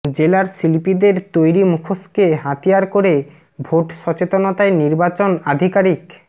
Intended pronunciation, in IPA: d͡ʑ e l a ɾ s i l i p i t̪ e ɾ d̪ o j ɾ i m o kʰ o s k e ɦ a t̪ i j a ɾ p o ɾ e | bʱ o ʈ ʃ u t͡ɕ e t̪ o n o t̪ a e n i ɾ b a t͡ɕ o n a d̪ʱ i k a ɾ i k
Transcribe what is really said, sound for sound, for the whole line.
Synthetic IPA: d͡ʑ e l a ɾ s i l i p i d̪ e ɾ t̪ o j ɾ i m u kʰ o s k e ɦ a t̪ i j a ɾ k o ɾ e | bʱ o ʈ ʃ ɔ t͡ɕ e t̪ o n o t̪ a e n i ɾ b a t͡ɕ o n a d̪ʱ i k a ɾ i k

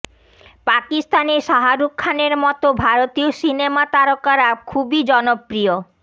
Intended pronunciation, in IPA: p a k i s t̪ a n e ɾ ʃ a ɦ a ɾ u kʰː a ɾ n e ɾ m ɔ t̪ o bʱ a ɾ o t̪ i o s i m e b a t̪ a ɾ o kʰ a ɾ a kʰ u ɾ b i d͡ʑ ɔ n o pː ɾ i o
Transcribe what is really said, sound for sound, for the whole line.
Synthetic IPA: p a k i s t̪ a n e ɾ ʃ a ɦ a ɾ u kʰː a n e ɾ m ɔ t̪ o bʱ a ɾ o t̪ i o s i n e m a t̪ a ɾ o k a ɾ a kʰ u b i d͡ʑ ɔ n o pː ɾ i o

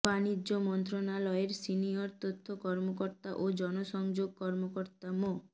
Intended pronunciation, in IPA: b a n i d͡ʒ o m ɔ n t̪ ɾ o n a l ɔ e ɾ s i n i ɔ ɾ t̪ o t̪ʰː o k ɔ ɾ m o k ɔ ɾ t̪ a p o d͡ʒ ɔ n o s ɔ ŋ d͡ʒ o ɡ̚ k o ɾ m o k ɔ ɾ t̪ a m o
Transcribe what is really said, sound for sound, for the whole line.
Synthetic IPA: b a n i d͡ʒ o m ɔ n t̪ ɾ o n a l ɔ e ɾ s i n i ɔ ɾ t̪ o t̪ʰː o k ɔ ɾ m o k ɔ ɾ t̪ a ʔ o d͡ʒ ɔ n o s ɔ ŋ d͡ʒ o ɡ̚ k ɔ ɾ m o k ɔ ɾ t̪ a m o

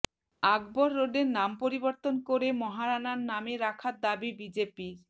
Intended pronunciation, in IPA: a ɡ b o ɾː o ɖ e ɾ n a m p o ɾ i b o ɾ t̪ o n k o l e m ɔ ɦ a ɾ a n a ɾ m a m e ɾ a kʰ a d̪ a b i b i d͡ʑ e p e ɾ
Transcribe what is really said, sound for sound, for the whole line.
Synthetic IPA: a ɡ b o ɾː o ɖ e ɾ n a m p o ɾ i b o ɾ t̪ o n k o ɾ e m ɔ ɦ a ɾ a n a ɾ n a m e ɾ a kʰ a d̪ a b i b i d͡ʑ e p i ɾ

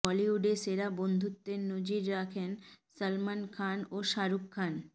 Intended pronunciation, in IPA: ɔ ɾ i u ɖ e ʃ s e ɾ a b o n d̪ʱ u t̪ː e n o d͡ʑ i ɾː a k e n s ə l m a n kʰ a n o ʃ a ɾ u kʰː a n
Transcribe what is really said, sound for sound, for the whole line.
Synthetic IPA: ɔ l i u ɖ e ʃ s e ɾ a b o n d̪ʱ u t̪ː e n o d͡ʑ i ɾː a kʰ e n s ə l m a n kʰ a n o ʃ a ɾ u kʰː a n

